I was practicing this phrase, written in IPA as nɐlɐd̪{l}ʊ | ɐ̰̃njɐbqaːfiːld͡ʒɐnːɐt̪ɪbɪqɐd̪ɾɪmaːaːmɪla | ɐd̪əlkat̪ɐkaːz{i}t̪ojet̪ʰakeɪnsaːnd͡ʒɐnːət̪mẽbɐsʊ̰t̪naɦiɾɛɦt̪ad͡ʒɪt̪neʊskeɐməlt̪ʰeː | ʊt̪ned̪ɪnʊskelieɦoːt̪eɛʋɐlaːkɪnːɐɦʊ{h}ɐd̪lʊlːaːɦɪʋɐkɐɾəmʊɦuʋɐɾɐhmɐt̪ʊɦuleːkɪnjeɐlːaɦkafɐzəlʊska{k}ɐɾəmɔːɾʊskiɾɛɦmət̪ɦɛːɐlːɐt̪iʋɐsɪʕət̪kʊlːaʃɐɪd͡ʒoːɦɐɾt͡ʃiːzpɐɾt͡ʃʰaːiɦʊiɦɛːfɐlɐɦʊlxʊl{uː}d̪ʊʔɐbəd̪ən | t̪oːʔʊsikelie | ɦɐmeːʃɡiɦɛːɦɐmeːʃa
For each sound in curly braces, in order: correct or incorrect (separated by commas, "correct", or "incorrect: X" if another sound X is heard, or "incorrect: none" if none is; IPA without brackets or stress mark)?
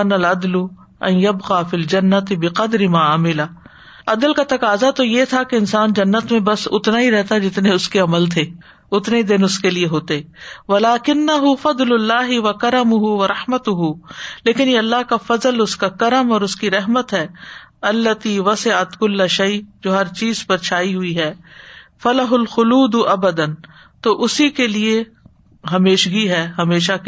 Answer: correct, incorrect: a, incorrect: f, correct, correct